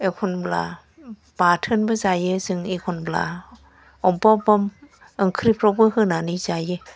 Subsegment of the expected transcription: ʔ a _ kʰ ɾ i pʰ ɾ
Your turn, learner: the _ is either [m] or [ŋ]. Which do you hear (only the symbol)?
ŋ